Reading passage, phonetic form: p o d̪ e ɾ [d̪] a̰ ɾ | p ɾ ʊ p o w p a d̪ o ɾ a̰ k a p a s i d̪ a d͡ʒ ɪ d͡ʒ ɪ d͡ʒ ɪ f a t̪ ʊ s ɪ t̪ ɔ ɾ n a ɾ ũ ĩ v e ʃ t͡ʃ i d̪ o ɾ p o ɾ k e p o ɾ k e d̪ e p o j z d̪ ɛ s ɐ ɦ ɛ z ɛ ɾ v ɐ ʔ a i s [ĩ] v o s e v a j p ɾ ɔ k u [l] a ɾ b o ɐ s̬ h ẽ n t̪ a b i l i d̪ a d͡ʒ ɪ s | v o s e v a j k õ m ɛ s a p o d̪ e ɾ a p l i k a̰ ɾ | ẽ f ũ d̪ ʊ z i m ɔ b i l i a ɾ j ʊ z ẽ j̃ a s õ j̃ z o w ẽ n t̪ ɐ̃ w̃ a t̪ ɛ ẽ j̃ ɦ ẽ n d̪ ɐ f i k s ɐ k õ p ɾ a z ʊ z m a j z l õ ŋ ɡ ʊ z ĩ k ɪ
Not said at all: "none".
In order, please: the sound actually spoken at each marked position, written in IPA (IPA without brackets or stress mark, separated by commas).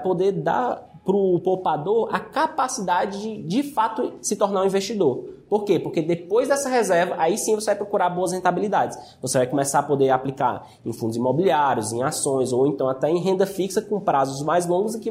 d̪, ĩ, ɾ